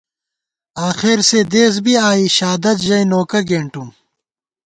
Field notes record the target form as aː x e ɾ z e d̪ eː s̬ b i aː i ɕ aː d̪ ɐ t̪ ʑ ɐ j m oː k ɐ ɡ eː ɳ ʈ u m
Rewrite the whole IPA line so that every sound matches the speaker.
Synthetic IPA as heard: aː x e ɾ s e d̪ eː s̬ b i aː i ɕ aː d̪ ɐ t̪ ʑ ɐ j n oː k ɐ ɡ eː ɳ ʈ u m